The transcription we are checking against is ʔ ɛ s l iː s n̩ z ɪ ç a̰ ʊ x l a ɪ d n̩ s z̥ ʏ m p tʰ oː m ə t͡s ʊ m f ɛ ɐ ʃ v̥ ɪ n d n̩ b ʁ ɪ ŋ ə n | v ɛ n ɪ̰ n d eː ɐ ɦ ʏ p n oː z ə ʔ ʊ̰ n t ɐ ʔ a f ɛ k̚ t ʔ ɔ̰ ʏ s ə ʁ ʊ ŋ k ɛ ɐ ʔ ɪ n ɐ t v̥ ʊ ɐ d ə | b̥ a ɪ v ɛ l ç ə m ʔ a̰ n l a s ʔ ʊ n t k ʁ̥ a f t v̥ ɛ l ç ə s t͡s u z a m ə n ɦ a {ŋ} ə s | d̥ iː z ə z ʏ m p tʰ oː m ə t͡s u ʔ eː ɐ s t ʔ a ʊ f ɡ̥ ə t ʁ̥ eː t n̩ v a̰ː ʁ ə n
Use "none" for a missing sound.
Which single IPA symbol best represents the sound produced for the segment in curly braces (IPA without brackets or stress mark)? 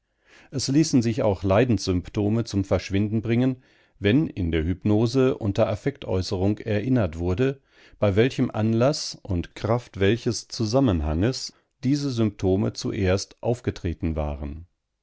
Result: ŋ